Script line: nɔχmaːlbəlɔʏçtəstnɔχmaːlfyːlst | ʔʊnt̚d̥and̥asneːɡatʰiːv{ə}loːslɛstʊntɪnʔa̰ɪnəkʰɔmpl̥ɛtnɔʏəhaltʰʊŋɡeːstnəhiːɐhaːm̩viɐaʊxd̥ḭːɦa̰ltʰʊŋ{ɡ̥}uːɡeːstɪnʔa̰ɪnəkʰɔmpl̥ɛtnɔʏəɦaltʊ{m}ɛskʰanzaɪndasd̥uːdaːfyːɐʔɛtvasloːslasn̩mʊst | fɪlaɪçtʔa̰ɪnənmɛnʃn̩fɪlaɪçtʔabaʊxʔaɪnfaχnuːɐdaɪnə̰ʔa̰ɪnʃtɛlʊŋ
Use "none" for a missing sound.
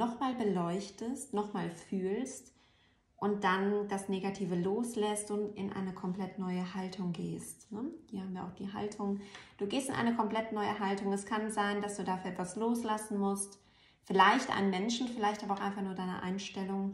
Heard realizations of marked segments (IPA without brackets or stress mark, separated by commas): ə, d̥, ŋ